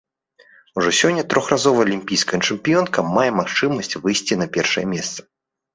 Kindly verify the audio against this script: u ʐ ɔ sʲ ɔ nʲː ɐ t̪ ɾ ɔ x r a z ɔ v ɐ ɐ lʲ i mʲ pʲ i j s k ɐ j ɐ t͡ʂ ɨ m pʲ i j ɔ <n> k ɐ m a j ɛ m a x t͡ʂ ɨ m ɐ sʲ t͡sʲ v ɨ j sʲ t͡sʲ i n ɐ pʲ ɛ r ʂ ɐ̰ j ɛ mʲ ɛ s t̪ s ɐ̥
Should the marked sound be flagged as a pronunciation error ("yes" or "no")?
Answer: no